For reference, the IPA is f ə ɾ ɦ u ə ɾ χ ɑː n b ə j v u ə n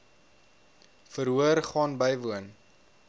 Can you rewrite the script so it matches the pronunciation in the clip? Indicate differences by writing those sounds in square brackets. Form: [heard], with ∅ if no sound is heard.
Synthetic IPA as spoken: f ə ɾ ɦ u ə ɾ χ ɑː n b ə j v u ə n